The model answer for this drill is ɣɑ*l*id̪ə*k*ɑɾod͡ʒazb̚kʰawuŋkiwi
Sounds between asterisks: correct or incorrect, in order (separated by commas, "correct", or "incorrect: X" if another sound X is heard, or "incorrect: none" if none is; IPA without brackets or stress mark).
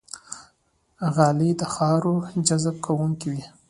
correct, incorrect: x